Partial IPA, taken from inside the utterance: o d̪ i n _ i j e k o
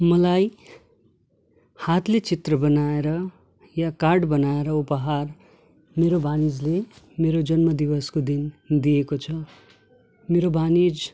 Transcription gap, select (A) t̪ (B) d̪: B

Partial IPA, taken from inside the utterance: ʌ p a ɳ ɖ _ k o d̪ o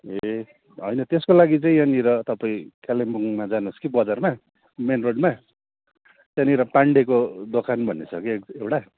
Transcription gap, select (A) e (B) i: A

